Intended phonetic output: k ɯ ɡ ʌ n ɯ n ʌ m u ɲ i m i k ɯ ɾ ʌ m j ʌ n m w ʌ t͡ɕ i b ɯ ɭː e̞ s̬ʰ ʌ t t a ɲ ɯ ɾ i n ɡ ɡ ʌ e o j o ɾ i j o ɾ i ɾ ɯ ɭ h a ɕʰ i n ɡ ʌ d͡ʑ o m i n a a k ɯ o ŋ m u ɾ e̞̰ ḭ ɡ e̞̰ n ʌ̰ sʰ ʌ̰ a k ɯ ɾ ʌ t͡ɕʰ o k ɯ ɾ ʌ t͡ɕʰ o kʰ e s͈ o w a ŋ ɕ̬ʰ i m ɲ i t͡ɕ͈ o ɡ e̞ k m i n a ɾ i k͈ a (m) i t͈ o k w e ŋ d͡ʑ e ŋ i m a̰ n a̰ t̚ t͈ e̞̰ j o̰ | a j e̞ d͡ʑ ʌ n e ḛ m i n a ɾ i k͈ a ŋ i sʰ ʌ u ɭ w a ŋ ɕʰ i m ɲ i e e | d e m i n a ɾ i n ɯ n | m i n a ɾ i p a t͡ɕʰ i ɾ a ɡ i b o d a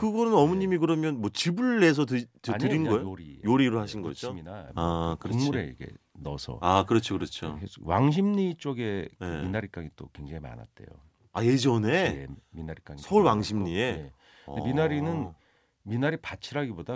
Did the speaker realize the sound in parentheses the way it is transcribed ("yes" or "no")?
no